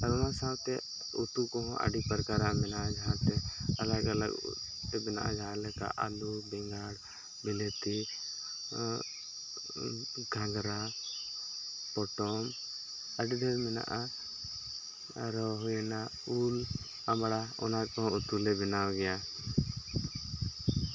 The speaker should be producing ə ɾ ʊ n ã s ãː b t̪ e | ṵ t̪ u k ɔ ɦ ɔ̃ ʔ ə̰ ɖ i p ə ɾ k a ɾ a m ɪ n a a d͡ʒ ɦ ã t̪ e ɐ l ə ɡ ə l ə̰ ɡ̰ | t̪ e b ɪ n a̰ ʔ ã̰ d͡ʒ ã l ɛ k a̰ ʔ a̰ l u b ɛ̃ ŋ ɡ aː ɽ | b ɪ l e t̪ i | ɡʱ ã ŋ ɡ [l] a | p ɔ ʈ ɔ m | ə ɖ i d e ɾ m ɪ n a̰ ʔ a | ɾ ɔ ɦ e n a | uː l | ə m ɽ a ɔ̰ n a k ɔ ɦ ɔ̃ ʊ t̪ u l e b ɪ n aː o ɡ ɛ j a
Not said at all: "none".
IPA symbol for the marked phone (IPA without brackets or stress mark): ɾ